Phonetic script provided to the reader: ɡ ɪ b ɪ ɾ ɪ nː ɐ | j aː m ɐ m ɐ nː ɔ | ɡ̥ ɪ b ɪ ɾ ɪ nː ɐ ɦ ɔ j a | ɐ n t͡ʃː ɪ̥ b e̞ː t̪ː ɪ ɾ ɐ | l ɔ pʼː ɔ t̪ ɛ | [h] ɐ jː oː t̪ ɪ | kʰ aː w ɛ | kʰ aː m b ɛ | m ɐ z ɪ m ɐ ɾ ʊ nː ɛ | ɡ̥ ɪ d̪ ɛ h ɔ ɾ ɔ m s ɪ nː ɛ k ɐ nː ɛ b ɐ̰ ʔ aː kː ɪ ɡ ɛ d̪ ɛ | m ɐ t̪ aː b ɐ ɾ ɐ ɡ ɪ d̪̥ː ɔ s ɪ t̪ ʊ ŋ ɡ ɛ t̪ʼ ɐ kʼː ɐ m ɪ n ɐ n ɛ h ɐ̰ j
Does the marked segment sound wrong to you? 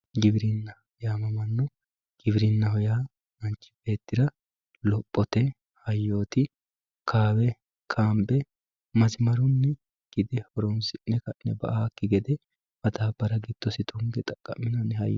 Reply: no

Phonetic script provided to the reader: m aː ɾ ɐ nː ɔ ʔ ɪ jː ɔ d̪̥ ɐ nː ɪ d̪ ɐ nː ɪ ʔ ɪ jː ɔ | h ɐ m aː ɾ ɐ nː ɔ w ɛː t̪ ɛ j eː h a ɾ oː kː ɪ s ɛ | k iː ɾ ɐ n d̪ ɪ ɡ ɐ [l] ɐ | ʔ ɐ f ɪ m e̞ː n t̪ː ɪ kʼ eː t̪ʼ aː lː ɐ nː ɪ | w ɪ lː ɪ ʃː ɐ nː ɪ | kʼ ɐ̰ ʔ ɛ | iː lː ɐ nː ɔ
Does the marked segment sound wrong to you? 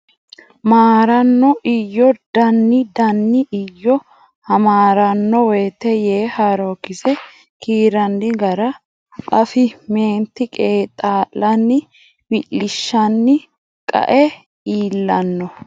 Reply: yes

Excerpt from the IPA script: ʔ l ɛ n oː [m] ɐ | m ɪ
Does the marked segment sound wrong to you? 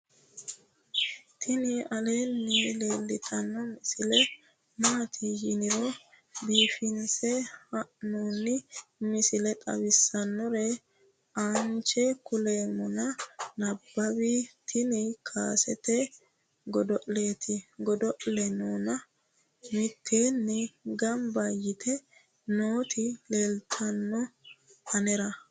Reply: yes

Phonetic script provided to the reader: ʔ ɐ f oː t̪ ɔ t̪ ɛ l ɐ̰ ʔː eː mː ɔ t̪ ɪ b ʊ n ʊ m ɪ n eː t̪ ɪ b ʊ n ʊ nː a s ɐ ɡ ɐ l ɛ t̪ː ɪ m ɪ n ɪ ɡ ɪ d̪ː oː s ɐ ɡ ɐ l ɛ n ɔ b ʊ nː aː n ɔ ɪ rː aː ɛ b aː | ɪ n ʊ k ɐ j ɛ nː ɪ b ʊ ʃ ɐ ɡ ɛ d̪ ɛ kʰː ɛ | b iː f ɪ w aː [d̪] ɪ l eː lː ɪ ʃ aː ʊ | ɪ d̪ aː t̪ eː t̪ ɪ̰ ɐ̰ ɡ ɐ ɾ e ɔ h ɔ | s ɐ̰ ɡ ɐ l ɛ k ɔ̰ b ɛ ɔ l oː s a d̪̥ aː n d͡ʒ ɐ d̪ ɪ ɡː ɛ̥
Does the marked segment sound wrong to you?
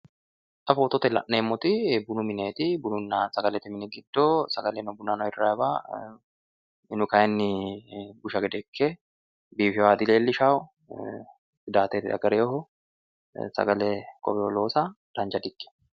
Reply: no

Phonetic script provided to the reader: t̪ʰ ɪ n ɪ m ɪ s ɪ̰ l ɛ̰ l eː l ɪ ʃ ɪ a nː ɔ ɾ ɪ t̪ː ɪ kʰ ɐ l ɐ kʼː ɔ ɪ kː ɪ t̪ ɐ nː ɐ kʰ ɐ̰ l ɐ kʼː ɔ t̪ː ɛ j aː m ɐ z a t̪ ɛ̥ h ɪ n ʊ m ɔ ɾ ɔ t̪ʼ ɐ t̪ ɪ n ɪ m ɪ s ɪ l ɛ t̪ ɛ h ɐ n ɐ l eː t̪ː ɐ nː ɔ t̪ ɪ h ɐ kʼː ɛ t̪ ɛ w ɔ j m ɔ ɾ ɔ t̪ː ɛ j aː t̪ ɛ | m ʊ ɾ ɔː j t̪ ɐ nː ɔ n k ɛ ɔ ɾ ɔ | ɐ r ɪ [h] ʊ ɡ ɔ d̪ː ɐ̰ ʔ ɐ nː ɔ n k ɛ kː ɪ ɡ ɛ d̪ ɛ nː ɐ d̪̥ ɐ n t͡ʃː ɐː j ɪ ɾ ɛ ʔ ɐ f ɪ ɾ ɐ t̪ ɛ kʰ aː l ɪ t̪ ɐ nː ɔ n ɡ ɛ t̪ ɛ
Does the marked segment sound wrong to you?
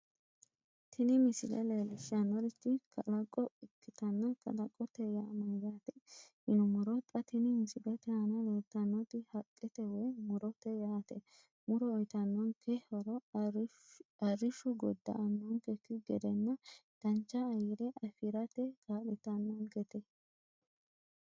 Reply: yes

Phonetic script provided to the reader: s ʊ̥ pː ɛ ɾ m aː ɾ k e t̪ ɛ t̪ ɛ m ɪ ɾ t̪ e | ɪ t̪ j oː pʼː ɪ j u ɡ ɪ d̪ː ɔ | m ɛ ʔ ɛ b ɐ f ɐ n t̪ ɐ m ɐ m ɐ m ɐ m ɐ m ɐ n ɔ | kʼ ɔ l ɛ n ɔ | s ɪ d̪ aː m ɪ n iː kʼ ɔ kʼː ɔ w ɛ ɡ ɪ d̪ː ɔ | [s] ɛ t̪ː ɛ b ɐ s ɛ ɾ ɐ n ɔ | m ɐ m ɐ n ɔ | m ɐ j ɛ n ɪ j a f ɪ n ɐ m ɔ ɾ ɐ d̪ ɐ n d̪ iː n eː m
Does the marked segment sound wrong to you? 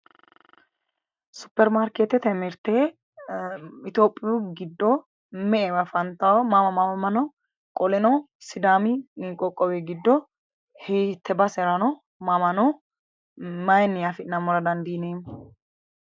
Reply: yes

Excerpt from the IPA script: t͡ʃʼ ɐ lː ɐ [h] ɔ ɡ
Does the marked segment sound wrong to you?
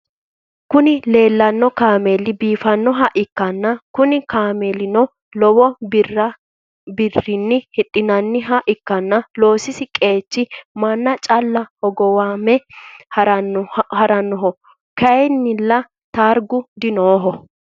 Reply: no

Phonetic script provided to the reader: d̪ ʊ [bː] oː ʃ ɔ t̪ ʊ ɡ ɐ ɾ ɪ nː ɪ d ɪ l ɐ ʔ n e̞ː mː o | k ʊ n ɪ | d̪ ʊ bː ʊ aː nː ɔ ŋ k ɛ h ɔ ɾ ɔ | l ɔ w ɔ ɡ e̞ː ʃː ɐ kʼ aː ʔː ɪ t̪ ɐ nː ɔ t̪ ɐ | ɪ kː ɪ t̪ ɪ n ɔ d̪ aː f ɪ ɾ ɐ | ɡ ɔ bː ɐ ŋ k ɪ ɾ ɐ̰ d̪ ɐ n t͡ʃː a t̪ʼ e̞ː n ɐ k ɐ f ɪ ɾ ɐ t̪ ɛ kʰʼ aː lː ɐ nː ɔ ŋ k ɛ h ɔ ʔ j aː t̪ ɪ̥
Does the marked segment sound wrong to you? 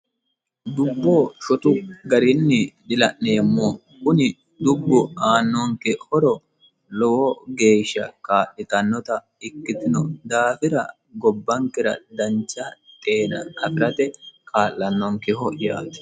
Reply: no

